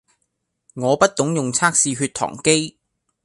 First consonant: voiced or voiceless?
voiced